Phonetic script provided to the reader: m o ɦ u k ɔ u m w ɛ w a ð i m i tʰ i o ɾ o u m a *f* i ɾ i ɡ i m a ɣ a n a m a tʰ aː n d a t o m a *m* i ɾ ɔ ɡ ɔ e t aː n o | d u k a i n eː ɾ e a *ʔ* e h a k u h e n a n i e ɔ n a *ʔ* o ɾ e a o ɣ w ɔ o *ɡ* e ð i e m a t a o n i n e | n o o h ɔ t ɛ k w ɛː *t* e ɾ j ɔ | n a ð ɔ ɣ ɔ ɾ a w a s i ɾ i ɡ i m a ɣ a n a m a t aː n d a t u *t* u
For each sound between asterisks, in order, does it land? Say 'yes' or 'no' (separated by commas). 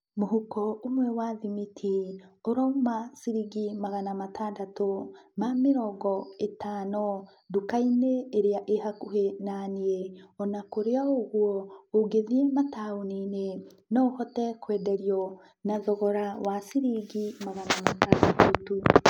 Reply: no, yes, yes, no, yes, no, yes